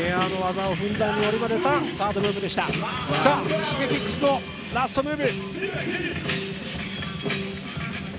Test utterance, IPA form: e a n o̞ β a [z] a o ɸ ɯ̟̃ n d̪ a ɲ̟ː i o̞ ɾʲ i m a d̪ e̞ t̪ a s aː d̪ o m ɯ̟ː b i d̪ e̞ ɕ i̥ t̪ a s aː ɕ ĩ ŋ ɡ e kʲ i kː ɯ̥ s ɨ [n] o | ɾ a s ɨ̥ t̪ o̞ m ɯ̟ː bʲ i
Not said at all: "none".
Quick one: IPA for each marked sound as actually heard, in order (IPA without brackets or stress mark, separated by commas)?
z, n